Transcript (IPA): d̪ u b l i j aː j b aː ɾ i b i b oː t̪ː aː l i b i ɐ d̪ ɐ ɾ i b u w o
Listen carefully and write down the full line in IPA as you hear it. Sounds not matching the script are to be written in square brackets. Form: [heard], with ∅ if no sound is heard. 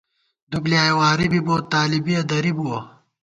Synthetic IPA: d̪ u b l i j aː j [w] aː ɾ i b i b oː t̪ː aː l i b i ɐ d̪ ɐ ɾ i b u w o